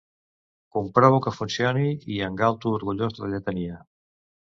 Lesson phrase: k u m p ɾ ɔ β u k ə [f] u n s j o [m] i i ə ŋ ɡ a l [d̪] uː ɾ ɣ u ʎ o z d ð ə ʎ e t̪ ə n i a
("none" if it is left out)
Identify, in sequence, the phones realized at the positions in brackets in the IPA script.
f, n, t̪

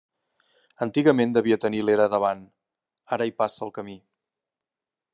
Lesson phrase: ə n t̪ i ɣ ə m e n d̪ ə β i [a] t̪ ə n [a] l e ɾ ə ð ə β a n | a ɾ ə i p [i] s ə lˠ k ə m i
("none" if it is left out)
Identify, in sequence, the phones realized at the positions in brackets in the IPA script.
ə, i, a

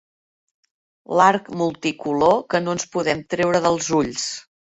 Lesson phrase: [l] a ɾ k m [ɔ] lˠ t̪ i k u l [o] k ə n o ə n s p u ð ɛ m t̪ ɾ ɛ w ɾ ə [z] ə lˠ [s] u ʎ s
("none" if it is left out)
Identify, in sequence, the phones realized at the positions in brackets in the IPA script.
l, u, o, ð, z

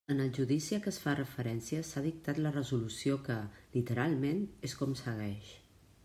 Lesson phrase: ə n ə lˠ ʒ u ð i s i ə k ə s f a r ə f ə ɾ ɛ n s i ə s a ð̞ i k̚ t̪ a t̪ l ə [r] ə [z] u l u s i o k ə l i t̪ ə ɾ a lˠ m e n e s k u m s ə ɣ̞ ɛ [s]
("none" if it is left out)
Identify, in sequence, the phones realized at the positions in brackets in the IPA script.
r, z, ʃ

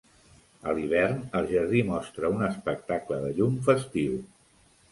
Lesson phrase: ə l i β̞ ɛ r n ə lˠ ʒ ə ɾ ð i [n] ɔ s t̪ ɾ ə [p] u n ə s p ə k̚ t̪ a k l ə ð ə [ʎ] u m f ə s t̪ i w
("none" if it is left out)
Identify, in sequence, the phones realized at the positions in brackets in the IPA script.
m, none, ʎ

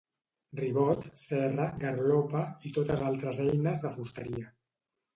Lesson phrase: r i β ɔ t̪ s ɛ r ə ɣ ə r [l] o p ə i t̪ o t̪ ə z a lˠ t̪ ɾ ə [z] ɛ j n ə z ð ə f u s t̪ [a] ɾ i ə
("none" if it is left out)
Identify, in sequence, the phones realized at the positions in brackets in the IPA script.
l, z, ə

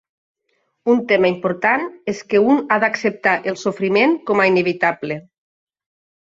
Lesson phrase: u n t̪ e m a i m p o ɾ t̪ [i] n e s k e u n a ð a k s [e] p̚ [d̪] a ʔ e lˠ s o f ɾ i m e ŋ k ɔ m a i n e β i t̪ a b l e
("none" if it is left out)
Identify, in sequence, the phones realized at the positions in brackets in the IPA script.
a, e, t̪

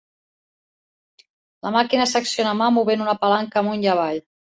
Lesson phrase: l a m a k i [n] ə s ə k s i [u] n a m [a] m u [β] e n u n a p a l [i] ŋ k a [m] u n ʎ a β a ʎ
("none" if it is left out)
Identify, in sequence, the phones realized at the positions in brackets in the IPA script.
n, o, a, β, a, m

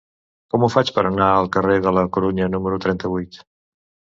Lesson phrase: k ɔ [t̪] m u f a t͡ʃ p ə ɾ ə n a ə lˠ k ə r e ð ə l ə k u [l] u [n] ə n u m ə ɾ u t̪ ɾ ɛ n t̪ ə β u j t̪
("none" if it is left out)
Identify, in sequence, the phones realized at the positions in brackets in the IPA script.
none, ɾ, ɲ

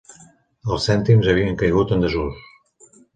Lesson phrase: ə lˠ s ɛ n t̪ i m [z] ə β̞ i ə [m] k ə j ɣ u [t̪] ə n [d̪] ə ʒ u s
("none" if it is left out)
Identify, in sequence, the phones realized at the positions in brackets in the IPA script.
z, ŋ, t̪, d̪

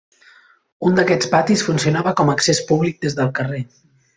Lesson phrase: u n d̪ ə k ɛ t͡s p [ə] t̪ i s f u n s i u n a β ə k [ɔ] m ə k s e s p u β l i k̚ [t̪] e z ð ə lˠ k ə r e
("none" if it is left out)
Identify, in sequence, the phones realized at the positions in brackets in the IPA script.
a, ɔ, d̪

